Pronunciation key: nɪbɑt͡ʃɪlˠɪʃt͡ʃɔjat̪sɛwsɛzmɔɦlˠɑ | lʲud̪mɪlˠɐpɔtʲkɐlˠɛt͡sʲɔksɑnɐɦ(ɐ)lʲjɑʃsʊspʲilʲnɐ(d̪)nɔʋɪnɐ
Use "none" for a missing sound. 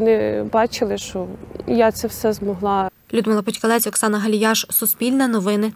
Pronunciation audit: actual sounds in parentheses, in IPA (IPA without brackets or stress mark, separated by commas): ɐ, none